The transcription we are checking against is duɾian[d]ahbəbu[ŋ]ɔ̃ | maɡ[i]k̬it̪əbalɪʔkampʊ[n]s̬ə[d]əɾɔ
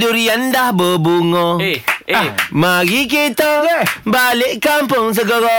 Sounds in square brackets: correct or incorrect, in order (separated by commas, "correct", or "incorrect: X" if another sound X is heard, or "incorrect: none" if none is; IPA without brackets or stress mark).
correct, correct, correct, incorrect: ŋ, incorrect: ɡ